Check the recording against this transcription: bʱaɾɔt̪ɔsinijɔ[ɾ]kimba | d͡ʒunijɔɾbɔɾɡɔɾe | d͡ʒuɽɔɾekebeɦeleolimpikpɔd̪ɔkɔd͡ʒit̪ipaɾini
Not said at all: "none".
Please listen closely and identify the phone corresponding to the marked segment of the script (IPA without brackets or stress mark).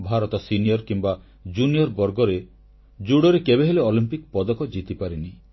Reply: ɾ